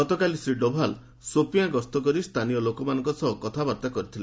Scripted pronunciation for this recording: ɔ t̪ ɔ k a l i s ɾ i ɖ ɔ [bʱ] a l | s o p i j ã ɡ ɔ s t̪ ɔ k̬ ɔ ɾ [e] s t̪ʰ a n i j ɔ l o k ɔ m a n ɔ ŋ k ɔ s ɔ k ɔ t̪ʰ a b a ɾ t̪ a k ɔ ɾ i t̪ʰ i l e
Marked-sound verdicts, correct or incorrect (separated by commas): correct, incorrect